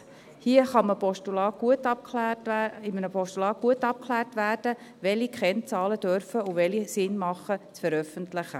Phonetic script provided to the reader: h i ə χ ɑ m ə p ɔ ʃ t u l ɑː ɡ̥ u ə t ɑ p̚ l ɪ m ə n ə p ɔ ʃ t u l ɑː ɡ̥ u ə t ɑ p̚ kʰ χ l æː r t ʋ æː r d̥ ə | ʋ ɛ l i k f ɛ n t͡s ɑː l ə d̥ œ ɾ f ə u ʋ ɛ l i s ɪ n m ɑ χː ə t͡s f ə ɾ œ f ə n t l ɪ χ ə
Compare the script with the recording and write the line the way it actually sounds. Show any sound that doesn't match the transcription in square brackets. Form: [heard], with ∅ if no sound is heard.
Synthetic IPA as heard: h i ə χ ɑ m ə p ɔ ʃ t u l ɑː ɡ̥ u ə t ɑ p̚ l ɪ m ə n ə p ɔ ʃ t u l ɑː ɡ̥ u ə t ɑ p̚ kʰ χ l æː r t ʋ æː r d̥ ə | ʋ ɛ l i k [χ] ɛ n t͡s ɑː l ə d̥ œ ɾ f ə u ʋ ɛ l i s ɪ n m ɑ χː ə t͡s f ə ɾ œ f ə n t l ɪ χ ə

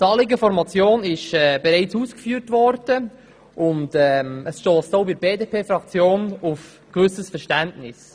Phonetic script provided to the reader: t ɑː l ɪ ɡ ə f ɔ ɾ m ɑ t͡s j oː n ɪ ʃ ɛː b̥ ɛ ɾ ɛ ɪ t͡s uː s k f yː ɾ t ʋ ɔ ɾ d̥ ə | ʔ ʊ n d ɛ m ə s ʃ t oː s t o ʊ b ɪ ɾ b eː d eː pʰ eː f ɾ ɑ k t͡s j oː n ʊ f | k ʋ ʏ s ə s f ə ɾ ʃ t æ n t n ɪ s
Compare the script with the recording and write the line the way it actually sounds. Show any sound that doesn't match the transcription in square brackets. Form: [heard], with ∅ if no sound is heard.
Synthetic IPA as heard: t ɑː l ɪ ɡ ə f ɔ ɾ m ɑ t͡s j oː n ɪ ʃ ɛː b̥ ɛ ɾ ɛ ɪ t͡s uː s k f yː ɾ t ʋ ɔ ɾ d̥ ə | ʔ ʊ n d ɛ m ə s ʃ t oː s t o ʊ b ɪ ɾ b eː d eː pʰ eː f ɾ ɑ k t͡s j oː n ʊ f | k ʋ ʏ s ə s f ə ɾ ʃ t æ n t n ɪ s

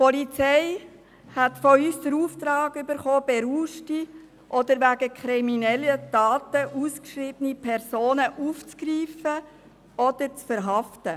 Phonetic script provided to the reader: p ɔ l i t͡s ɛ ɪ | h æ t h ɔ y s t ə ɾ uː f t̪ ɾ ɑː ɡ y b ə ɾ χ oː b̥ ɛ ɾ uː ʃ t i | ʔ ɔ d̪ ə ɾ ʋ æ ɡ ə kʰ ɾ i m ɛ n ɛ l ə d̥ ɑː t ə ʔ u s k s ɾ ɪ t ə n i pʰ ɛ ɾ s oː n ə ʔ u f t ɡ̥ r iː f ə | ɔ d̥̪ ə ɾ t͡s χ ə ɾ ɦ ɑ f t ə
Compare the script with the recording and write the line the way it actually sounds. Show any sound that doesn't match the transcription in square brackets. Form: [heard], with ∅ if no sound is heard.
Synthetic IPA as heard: p ɔ l i t͡s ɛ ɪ | h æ t [f] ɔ y s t ə ɾ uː f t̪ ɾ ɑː ɡ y b ə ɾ χ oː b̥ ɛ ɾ uː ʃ t i | ʔ ɔ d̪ ə ɾ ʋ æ ɡ ə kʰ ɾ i m [i] n ɛ l ə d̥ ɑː t ə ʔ u s k [ʃ] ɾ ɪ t ə n i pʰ ɛ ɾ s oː n ə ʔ u f [t͡s] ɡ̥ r iː f ə | ɔ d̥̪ ə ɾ t͡s [f] ə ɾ ɦ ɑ f t ə

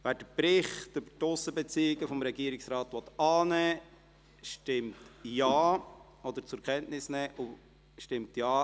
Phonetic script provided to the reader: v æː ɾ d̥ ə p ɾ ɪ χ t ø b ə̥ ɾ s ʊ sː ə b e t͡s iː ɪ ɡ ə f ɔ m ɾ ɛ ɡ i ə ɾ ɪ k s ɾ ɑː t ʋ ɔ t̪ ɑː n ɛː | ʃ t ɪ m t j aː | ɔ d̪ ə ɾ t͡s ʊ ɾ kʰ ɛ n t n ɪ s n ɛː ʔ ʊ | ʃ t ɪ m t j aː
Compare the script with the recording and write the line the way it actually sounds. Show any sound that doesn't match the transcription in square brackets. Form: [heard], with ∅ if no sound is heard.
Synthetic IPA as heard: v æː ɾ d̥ ə p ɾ ɪ χ t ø b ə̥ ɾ [t] ʊ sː ə b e t͡s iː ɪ ɡ ə f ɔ m ɾ ɛ ɡ i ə ɾ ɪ k s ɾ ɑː t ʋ ɔ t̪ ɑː n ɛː | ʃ t ɪ m t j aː | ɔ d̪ ə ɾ t͡s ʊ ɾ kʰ ɛ n t n ɪ s n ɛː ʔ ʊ | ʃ t ɪ m t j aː

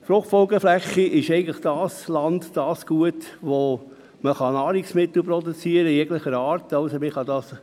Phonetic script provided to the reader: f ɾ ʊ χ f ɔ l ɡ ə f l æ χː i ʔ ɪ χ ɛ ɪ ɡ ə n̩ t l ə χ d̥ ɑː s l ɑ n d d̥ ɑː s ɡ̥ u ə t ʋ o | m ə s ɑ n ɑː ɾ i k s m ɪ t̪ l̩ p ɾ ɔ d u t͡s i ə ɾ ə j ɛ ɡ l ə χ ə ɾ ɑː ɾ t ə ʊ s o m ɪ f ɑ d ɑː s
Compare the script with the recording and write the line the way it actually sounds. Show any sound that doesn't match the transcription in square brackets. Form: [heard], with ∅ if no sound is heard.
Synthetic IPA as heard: f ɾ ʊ χ f ɔ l ɡ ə f l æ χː i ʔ ɪ [ʃ] ɛ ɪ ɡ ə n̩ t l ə χ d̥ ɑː s l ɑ n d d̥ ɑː s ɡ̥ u ə t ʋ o | m ə [χ] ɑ n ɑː ɾ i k s m ɪ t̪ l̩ p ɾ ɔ d u t͡s i ə ɾ ə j ɛ ɡ l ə χ ə ɾ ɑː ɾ t [ɑ] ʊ s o m ɪ [χ] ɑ d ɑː s

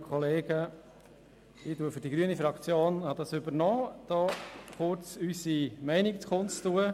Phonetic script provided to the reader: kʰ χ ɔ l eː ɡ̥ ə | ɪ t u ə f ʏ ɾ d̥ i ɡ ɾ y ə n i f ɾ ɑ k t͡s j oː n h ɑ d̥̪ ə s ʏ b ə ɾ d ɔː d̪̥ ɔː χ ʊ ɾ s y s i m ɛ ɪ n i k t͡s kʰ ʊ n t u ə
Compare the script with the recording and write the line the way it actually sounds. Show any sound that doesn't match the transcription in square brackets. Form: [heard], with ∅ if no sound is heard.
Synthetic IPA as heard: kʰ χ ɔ l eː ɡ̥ ə | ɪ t u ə f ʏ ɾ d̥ i ɡ ɾ y ə n i f ɾ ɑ k t͡s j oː n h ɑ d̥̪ [ɑ] s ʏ b ə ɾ [n] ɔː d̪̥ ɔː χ ʊ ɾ [t͡s] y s i m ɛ ɪ n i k t͡s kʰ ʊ n t u ə

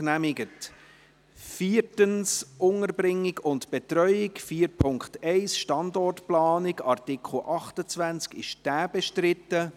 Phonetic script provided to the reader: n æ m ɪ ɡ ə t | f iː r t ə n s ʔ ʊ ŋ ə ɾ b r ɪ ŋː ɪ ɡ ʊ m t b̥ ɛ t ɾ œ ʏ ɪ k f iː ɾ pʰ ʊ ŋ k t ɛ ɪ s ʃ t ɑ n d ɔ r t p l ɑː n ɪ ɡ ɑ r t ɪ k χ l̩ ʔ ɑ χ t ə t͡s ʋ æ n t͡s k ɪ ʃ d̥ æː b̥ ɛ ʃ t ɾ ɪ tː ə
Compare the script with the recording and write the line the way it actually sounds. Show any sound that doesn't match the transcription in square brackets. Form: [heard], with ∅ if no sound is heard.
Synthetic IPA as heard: n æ m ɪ ɡ ə t | f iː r t ə n s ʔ ʊ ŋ ə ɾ b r ɪ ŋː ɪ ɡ ʊ [n] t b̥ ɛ t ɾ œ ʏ ɪ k f iː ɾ pʰ ʊ ŋ k t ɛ ɪ s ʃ t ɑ n d ɔ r t p l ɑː n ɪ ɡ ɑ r t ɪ k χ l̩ ʔ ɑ χ t ə t͡s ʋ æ n t͡s k ɪ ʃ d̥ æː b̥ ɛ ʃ t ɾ ɪ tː ə

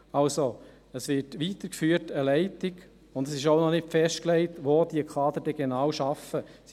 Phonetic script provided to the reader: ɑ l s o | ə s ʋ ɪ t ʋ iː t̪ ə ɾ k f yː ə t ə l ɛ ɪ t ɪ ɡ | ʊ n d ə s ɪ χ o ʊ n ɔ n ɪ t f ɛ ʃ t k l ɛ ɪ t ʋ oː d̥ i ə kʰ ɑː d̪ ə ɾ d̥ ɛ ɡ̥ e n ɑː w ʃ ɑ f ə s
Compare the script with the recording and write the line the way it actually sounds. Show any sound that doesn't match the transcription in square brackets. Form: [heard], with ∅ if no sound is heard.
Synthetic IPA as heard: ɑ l s o | ə s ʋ ɪ t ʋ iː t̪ ə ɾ k f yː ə t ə l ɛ ɪ t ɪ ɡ | ʊ n d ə s ɪ [ʃ] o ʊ n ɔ n ɪ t f ɛ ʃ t k l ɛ ɪ t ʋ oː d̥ i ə kʰ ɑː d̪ ə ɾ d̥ ɛ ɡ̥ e n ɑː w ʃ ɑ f ə s

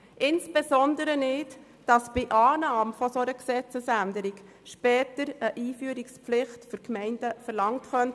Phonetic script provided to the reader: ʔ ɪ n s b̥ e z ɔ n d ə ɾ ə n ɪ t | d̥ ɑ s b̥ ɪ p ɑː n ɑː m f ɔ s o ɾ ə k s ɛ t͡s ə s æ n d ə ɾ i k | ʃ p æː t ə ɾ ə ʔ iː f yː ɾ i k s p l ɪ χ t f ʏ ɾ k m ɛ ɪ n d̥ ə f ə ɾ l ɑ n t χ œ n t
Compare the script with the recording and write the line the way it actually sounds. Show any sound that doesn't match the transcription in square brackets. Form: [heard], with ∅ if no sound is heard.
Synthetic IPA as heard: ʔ ɪ n s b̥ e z ɔ n d ə ɾ ə n ɪ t | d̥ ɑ s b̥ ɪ [ʔ] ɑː n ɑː m f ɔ s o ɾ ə k s ɛ t͡s ə s æ n d ə ɾ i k | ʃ p [ɛː] t ə ɾ ə ʔ iː f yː ɾ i k s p l ɪ χ t f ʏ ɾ k m ɛ ɪ n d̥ ə f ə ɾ l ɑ [ŋ] t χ œ n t

